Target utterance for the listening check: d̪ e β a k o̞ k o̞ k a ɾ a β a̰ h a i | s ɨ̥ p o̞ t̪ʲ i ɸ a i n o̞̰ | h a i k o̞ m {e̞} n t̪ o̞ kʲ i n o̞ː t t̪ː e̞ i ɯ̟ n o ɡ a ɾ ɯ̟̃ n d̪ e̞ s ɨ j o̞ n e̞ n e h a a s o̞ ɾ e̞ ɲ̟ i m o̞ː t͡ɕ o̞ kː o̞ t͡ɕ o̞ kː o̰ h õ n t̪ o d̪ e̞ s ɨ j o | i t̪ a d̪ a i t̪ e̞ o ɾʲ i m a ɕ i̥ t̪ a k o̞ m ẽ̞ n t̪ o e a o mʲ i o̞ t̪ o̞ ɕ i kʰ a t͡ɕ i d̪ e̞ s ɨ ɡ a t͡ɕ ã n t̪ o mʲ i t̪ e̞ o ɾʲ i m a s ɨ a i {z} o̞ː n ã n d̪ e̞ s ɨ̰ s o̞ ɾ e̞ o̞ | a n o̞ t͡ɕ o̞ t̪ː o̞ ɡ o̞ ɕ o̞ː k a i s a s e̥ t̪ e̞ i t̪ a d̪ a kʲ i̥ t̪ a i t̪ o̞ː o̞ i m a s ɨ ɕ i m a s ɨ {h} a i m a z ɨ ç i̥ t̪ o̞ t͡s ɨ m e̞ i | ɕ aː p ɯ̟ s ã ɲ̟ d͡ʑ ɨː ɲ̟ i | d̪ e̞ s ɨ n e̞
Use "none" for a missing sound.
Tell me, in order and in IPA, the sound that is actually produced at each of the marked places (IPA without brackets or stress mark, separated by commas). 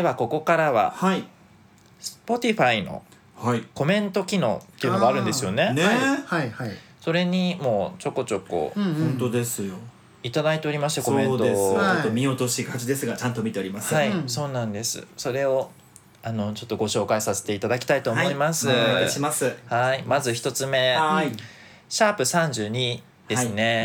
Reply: ẽ̞, s, h